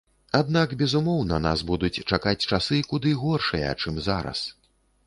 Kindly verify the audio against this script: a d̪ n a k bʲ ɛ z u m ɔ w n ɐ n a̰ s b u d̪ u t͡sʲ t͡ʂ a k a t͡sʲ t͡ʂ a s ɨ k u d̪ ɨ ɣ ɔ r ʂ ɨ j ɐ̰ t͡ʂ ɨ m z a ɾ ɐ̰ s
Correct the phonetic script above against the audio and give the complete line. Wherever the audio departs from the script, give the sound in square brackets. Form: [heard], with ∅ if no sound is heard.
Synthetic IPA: a d̪ n a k bʲ ɛ z u m ɔ w n ɐ n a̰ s b u d̪ u t͡sʲ t͡ʂ a k a t͡sʲ t͡ʂ a s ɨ k u d̪ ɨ ɣ ɔ r ʂ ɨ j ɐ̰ t͡ʂ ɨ m z a ɾ ɐ̰ s